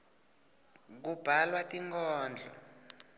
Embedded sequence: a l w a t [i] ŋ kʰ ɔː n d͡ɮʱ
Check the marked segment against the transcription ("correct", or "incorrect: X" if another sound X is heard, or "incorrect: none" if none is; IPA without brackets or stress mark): correct